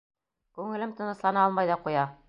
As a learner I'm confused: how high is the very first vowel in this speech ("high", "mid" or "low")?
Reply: high